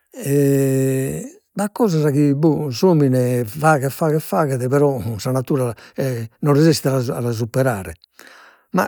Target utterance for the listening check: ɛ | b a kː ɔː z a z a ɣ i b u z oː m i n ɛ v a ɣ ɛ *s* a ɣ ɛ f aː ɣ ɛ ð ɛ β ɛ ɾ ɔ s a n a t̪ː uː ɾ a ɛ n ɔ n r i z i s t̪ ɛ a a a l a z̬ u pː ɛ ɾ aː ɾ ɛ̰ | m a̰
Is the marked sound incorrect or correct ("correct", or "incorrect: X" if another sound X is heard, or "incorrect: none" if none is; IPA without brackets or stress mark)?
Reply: incorrect: f